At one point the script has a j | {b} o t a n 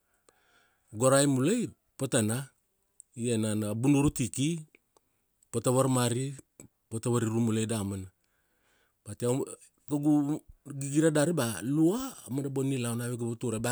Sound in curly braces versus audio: incorrect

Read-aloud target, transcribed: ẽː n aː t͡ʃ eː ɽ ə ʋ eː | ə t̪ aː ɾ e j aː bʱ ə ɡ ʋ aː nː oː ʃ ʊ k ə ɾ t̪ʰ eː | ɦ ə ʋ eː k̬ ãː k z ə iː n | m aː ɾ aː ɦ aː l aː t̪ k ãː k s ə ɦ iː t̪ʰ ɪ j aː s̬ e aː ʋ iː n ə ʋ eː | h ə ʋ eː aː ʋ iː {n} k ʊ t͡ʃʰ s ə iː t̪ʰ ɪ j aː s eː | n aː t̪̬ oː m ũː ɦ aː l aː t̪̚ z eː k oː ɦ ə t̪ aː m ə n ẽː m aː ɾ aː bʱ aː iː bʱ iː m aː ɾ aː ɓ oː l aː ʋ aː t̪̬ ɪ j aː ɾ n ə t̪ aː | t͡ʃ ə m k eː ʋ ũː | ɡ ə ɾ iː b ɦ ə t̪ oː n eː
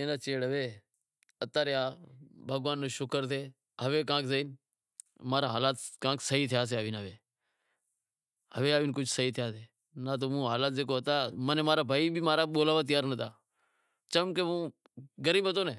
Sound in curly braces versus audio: correct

